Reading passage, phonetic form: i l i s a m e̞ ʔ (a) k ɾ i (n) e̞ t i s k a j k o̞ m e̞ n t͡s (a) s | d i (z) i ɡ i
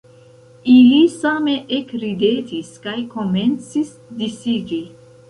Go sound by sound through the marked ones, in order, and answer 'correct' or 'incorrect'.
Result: incorrect: e, incorrect: d, incorrect: i, incorrect: s

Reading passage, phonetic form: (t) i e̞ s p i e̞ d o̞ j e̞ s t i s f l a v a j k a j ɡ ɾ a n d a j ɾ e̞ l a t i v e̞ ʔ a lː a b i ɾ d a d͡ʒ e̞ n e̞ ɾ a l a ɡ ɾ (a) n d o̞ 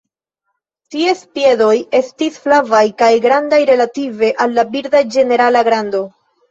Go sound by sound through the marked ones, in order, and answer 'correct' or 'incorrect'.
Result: correct, correct

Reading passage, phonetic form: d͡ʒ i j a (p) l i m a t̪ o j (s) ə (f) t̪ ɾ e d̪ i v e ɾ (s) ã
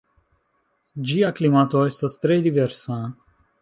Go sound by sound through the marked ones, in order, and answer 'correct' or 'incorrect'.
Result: incorrect: k, correct, incorrect: s, correct

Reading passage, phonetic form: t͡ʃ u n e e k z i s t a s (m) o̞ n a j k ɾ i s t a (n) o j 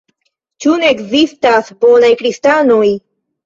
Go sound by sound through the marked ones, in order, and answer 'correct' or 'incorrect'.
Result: incorrect: b, correct

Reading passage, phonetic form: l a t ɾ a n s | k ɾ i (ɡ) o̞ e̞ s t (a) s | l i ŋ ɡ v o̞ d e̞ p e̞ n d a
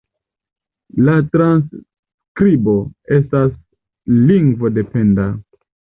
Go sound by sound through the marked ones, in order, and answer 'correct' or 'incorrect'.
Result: incorrect: b, correct

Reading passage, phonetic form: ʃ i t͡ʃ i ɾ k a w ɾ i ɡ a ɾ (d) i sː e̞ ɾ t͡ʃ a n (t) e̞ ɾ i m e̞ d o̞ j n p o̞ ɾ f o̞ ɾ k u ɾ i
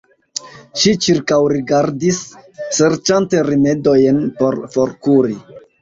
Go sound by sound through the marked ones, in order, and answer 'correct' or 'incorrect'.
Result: correct, correct

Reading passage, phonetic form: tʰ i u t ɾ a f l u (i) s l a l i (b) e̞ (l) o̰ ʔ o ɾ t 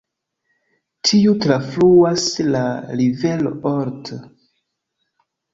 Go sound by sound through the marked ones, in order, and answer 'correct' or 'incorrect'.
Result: incorrect: a, incorrect: v, correct

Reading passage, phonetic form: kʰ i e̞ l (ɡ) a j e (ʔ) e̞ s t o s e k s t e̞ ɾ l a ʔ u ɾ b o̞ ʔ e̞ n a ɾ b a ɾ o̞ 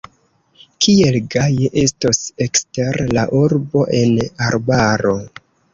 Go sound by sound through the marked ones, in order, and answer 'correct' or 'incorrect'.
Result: correct, correct

